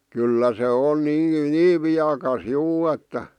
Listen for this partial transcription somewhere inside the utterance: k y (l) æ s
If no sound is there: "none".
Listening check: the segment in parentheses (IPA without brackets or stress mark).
lː